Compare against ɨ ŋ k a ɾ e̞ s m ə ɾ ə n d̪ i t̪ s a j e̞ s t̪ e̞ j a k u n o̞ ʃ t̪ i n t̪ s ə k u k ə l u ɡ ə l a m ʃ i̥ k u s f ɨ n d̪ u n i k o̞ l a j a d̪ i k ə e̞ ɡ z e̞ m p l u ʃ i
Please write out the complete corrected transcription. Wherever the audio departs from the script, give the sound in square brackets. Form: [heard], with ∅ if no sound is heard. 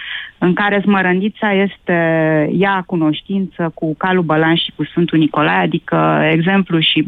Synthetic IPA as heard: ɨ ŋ k a ɾ e̞ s m ə ɾ ə n d̪ i t̪ s a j e̞ s t̪ e̞ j a k u n o̞ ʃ t̪ i n t̪ s ə k u k [a] l u [b] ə l a [n] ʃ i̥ k u s f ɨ n [t̪] u n i k o̞ l a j a d̪ i k ə e̞ ɡ z e̞ m p l u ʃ i